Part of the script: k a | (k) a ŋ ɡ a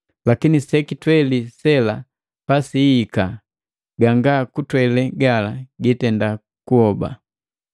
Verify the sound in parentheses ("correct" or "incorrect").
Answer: incorrect